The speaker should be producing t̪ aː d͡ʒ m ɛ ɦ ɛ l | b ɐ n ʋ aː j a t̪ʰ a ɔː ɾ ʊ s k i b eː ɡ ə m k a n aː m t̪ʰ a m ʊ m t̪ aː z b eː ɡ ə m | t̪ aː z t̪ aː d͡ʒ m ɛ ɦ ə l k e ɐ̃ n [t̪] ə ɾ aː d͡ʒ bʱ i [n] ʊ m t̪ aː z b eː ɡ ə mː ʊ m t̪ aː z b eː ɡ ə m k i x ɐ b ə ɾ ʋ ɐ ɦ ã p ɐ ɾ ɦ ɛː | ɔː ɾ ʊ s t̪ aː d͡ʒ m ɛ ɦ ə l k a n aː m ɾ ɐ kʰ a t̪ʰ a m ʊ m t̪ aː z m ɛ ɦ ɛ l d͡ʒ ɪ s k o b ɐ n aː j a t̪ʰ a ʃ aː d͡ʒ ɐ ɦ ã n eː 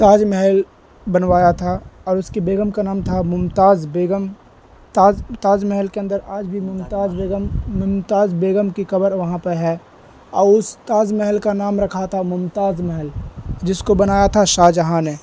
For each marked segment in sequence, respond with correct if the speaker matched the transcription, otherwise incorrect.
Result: incorrect: d̪, incorrect: m

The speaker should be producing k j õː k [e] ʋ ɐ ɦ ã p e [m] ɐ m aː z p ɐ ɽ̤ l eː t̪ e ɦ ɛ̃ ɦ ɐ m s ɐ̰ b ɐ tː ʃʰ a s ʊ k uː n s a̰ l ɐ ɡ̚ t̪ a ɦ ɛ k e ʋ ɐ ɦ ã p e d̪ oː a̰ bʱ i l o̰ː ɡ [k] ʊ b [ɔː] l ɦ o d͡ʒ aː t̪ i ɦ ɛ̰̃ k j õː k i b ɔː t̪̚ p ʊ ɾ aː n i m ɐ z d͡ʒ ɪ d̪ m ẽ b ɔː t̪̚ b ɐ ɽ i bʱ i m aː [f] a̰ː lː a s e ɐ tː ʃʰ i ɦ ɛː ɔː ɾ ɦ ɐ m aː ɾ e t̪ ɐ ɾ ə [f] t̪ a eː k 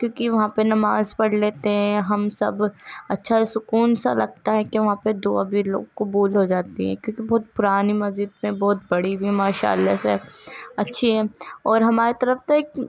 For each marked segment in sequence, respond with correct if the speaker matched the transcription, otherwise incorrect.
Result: incorrect: i, incorrect: n, correct, incorrect: uː, incorrect: ʃ, correct

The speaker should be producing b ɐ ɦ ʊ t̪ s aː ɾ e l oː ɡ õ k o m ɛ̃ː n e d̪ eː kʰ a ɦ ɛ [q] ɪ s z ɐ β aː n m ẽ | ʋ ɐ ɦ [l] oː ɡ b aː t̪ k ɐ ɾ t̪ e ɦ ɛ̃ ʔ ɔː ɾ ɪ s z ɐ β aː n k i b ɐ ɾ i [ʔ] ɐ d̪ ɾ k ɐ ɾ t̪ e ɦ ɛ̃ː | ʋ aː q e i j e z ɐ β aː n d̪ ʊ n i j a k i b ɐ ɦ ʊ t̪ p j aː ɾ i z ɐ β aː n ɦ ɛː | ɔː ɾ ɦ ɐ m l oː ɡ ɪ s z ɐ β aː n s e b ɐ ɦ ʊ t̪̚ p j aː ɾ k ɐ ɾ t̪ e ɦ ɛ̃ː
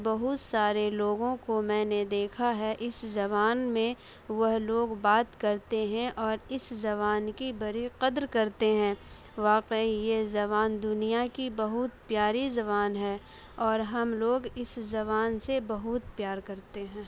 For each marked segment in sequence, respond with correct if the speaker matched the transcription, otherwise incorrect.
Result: incorrect: ʔ, correct, incorrect: q

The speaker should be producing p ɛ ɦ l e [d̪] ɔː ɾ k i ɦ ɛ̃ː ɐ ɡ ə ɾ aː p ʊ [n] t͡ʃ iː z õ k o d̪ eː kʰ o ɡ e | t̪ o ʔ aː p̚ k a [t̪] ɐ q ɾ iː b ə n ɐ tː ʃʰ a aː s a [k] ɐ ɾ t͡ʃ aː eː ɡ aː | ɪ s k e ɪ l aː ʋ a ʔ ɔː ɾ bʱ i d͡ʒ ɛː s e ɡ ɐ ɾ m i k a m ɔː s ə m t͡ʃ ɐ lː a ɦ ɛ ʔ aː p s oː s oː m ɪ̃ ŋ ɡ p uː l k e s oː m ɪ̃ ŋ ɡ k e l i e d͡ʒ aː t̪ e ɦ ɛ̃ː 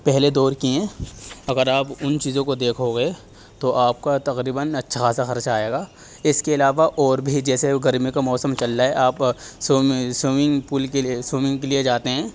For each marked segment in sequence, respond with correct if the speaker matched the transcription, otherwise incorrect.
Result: correct, correct, correct, incorrect: x

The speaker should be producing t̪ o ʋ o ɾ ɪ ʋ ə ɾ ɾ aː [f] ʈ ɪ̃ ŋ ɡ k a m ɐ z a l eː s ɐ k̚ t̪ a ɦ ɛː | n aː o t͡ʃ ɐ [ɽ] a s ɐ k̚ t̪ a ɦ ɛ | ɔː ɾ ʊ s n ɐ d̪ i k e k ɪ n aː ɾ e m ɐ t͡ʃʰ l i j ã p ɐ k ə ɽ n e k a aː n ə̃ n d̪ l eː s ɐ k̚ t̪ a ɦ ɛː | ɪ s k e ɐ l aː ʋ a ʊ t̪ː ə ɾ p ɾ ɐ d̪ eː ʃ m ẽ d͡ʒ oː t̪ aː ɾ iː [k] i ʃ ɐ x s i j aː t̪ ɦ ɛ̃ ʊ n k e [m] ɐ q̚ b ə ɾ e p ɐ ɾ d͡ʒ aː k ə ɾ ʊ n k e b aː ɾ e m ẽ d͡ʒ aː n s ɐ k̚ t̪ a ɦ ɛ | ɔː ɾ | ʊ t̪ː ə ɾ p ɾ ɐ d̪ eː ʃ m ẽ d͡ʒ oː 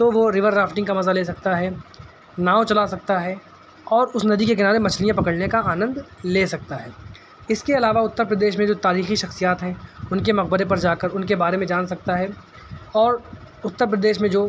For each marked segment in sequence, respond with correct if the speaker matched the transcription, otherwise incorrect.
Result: correct, incorrect: l, incorrect: x, correct

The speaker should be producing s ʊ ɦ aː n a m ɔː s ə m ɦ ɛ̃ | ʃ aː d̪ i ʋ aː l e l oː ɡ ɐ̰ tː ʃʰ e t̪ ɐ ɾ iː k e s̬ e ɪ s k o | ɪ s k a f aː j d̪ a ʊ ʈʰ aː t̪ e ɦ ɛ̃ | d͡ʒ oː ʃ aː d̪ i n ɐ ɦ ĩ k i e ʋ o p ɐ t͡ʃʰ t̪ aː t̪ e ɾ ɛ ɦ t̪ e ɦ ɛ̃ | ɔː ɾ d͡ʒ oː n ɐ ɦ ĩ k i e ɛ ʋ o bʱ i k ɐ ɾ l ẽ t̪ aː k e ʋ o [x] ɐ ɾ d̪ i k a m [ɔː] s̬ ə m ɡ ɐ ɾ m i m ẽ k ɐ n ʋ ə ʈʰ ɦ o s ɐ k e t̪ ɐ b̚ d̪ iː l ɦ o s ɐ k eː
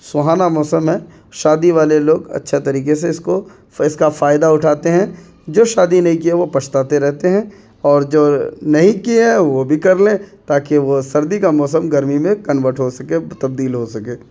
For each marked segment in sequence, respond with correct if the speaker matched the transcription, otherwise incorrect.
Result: incorrect: s, correct

